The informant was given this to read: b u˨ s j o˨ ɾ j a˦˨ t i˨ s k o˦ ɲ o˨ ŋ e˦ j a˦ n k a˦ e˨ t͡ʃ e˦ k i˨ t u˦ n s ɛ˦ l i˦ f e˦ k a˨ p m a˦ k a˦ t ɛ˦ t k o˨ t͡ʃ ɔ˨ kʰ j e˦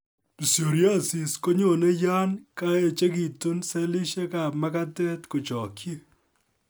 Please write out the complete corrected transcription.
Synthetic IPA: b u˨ s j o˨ ɾ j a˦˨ s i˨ s k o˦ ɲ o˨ n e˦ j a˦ n k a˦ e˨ t͡ʃ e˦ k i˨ t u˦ n s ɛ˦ l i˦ ʃ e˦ k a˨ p m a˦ k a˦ t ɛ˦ t k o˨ t͡ʃ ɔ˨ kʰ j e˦